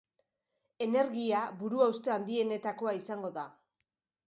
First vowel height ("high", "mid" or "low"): mid